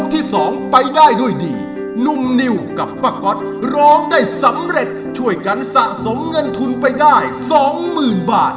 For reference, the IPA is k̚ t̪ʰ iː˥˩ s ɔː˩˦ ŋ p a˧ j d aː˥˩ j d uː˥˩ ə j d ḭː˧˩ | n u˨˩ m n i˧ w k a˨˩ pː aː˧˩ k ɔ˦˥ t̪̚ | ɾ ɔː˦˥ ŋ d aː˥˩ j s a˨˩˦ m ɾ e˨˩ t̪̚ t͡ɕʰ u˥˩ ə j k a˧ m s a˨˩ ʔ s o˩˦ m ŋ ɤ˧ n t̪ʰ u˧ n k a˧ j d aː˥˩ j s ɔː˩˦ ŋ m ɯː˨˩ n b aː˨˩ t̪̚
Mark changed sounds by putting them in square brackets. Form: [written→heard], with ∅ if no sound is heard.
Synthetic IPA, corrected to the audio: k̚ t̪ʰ iː˥˩ s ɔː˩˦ ŋ p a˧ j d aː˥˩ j d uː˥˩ ə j d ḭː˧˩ | n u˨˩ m n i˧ w k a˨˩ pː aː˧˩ k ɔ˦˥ t̪̚ | ɾ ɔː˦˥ ŋ d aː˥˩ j s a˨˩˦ m ɾ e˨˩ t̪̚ t͡ɕʰ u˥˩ ə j k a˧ [m→n] s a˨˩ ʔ s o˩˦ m ŋ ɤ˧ n t̪ʰ u˧ n [k→p] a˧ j d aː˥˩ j s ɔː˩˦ ŋ m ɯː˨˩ n b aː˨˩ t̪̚